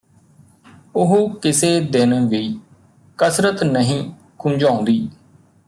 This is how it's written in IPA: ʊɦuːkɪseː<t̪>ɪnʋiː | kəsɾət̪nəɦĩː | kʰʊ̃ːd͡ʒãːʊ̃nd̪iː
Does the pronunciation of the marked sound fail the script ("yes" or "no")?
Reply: yes